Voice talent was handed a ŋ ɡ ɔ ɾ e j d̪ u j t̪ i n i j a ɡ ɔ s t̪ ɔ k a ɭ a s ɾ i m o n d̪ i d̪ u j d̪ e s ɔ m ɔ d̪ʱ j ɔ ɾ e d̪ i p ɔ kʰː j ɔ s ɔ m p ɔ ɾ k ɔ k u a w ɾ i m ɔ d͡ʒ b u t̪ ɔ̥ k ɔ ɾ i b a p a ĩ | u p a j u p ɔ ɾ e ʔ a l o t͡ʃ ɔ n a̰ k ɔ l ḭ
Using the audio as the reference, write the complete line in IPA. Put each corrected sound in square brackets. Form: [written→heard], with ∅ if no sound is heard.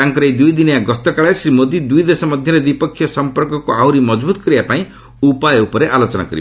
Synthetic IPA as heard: a ŋ [ɡ→k] ɔ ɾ e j d̪ u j [t̪→d̪] i n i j a ɡ ɔ s t̪ ɔ k a ɭ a s ɾ i m o [n→∅] d̪ i d̪ u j d̪ e s ɔ m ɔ d̪ʱ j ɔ ɾ e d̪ i p ɔ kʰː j ɔ s ɔ m p ɔ ɾ k ɔ k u a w ɾ i m ɔ d͡ʒ b u t̪ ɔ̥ k ɔ ɾ i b a p a ĩ | u p a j u p ɔ ɾ e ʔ a l o t͡ʃ ɔ n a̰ k ɔ [l→ɾ] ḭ